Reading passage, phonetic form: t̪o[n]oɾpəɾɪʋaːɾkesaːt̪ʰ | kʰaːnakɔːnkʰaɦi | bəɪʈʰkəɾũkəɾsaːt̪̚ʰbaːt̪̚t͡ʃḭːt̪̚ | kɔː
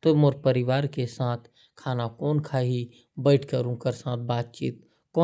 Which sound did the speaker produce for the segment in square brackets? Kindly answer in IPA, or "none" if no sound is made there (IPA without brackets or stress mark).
m